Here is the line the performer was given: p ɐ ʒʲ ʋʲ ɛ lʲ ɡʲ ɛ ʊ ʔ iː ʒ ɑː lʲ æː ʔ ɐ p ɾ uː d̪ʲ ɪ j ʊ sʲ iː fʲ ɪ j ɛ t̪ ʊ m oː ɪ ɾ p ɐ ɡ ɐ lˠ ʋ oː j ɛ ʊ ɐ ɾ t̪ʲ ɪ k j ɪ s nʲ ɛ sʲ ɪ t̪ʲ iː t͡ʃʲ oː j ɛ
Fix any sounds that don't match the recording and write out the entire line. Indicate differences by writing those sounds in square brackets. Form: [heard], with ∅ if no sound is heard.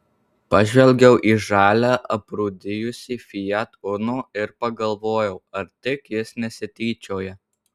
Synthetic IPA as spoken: p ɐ ʒʲ ʋʲ ɛ lʲ ɡʲ ɛ ʊ ʔ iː ʒ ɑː lʲ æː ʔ ɐ p ɾ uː d̪ʲ ɪ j ʊ sʲ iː fʲ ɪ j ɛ t̪ ʊ [n] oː ɪ ɾ p ɐ ɡ ɐ lˠ ʋ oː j ɛ ʊ ɐ ɾ t̪ʲ ɪ k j ɪ s nʲ ɛ sʲ ɪ t̪ʲ iː t͡ʃʲ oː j ɛ